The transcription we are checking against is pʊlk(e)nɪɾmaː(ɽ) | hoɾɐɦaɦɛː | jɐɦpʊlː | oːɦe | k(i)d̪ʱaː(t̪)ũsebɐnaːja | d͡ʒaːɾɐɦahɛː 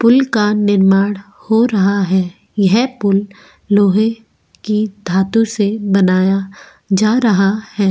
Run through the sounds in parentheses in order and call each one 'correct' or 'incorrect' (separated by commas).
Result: incorrect, correct, correct, correct